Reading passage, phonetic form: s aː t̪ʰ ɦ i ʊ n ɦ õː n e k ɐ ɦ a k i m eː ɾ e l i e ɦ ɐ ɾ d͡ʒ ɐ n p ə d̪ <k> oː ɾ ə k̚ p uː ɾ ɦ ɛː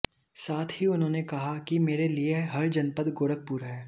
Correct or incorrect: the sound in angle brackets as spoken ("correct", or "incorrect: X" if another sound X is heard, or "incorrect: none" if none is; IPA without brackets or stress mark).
incorrect: ɡ